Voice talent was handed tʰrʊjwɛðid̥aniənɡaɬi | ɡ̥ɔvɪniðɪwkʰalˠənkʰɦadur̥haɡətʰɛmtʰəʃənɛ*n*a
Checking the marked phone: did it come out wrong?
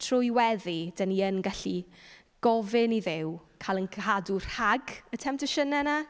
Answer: no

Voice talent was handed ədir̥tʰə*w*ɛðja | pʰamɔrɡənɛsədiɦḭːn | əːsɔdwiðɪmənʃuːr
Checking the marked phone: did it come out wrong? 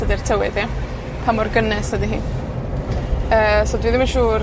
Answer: no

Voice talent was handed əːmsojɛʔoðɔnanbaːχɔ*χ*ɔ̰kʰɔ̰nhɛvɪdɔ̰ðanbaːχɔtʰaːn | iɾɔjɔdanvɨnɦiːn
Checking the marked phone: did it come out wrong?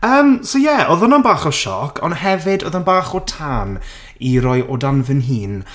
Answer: yes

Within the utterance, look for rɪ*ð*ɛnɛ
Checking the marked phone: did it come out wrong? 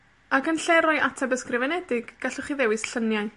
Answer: yes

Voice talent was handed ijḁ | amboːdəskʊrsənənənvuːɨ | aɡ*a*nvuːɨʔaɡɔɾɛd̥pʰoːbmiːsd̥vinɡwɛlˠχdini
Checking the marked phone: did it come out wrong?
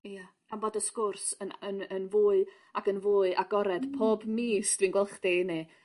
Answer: yes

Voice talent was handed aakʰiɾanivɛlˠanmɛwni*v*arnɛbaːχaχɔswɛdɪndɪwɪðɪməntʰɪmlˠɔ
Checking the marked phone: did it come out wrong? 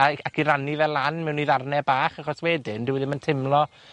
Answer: yes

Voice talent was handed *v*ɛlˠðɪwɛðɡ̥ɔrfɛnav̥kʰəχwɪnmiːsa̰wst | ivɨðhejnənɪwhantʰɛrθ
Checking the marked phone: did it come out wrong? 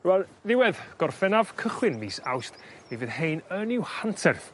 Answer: yes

